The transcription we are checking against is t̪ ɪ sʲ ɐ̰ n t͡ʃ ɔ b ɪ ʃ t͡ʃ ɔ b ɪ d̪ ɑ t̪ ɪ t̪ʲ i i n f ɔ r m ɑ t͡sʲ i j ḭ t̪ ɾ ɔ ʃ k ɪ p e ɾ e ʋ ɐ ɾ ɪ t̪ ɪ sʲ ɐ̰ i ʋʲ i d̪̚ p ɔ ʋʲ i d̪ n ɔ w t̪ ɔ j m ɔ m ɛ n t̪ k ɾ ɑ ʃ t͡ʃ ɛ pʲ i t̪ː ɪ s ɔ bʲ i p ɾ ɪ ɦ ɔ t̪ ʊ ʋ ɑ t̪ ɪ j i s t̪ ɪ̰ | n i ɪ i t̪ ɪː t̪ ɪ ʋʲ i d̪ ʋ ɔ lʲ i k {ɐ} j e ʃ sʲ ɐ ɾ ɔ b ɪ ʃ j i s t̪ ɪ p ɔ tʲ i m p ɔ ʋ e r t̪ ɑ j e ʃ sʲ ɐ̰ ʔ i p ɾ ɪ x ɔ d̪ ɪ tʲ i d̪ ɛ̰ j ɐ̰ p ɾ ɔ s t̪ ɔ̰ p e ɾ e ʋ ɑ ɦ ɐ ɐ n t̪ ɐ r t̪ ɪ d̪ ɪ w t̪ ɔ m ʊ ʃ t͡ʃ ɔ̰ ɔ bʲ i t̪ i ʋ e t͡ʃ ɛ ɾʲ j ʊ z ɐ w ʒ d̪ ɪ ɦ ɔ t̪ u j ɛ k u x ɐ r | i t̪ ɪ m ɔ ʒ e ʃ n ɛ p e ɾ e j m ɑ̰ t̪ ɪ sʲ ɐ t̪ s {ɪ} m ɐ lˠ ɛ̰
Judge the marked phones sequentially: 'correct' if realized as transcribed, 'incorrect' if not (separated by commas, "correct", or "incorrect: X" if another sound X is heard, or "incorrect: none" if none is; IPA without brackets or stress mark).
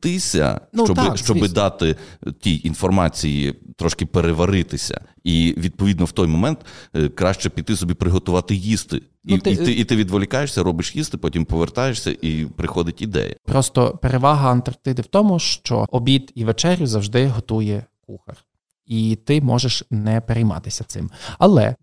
incorrect: ɑ, correct